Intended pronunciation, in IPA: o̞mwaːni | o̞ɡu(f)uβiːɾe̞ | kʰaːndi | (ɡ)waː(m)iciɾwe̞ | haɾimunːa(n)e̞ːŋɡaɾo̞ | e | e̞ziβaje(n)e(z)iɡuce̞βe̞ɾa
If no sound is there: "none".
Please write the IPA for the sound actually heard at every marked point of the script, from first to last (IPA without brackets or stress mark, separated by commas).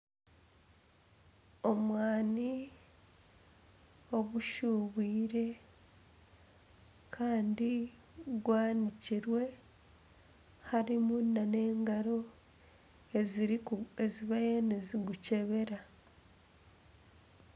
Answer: ʃ, ɡ, n, n, n, z